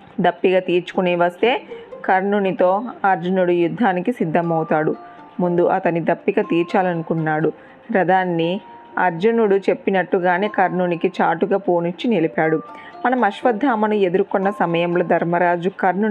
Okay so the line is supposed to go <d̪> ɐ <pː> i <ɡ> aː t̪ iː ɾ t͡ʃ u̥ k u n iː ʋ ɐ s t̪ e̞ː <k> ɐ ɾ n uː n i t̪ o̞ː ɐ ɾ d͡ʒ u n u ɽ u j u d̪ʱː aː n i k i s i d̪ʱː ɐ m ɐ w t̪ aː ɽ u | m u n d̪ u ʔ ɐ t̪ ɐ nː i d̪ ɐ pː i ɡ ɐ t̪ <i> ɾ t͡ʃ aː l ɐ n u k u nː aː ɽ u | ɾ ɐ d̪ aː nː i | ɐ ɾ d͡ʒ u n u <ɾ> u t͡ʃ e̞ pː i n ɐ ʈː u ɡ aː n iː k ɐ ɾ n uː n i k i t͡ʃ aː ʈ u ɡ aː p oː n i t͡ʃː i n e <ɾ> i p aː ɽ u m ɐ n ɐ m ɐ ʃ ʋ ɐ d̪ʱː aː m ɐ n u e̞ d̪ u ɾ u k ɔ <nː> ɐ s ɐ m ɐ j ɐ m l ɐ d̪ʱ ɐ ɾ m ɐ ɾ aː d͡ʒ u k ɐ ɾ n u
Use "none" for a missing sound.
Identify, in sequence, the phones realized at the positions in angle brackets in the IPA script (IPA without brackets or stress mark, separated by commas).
d̪, pː, ɡ, k, iː, ɽ, l, nː